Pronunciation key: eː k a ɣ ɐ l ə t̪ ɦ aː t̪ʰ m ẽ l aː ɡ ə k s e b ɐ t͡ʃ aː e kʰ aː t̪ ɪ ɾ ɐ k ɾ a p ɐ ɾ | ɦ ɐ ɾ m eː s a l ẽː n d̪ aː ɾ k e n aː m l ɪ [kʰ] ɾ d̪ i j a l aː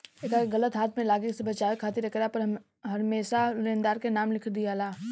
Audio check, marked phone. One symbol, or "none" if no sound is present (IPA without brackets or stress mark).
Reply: kʰ